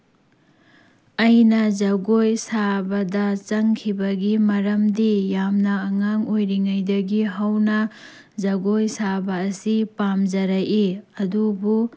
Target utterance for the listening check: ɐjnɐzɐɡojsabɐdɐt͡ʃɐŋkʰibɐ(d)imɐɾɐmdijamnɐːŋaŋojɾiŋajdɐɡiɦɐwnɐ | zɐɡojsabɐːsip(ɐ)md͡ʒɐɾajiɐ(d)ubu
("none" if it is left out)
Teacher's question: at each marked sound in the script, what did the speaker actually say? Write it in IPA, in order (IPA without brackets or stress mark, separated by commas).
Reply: ɡ, a, d